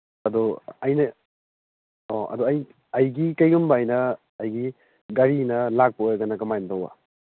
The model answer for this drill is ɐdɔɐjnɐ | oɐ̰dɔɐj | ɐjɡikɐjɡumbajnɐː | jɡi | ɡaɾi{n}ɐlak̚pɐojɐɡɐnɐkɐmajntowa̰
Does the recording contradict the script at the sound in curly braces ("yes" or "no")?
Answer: no